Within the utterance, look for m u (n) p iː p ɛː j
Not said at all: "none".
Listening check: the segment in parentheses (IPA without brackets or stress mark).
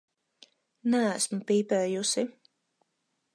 none